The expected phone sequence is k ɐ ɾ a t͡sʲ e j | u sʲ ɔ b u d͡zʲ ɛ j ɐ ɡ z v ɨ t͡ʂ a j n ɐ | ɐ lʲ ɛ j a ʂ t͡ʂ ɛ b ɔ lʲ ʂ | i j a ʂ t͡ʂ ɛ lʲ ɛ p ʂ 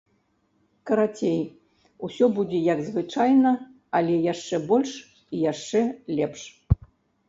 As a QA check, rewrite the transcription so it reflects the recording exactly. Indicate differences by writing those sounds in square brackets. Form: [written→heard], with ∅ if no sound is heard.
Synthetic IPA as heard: k ɐ ɾ a t͡sʲ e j | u sʲ ɔ b u d͡zʲ ɛ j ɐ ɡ z v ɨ t͡ʂ a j n ɐ | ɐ lʲ ɛ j a ʂ t͡ʂ ɛ b ɔ lʲ ʂ | i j a ʂ t͡ʂ ɛ lʲ ɛ p ʂ